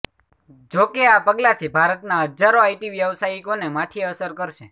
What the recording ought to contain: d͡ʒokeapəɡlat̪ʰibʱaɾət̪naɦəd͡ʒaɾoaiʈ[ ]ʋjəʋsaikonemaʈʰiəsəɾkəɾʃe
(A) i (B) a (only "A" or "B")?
A